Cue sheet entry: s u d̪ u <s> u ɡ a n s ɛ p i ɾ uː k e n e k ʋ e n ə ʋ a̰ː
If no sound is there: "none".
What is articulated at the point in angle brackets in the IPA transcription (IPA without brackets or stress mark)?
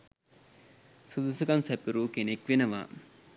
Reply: s